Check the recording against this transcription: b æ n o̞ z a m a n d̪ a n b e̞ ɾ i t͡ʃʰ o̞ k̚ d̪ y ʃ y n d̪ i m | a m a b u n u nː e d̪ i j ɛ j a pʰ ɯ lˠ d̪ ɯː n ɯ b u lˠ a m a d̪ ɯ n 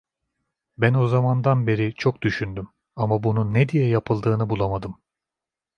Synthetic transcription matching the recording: b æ n o̞ z a m a n d̪ a n b e̞ ɾ i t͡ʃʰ o̞ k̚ d̪ y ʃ y n d̪ y m | a m a b u n u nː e d̪ i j ɛ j a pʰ ɯ lˠ d̪ ɯː n ɯ b u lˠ a m a d̪ ɯ m